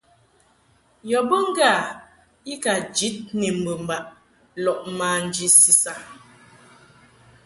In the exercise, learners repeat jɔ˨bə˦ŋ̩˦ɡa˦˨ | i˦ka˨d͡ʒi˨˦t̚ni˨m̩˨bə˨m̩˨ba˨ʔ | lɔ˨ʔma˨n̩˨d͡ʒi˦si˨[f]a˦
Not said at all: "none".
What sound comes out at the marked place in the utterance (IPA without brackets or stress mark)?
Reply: s